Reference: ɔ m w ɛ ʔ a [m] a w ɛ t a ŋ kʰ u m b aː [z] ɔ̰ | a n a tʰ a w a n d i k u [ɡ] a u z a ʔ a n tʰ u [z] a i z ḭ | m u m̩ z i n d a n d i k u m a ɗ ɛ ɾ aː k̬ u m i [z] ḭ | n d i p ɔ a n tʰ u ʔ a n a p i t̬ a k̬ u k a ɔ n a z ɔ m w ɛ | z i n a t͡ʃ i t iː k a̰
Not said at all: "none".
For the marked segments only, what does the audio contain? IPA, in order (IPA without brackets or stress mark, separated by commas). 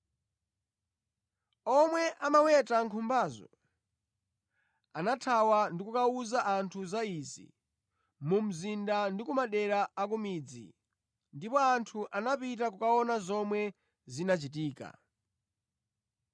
m, z, k, z, d͡z